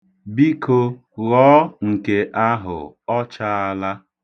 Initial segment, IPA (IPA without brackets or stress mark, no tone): b